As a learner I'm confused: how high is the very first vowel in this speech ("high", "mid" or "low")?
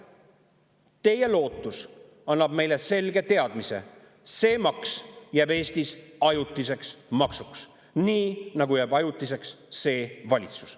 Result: mid